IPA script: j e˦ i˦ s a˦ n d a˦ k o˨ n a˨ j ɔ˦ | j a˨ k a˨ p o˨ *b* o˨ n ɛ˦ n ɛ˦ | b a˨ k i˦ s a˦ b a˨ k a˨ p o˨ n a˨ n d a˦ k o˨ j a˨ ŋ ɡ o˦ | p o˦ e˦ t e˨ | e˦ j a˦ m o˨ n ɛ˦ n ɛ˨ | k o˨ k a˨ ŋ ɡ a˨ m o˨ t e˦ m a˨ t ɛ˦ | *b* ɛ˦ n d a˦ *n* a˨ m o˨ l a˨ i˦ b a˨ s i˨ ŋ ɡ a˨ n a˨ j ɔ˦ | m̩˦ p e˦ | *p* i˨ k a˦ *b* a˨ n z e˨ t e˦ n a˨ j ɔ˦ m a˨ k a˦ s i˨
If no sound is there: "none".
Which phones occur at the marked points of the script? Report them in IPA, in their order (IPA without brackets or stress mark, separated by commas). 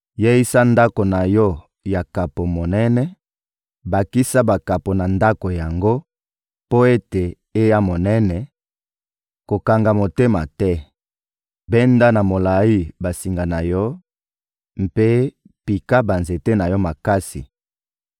m, b, n, p, b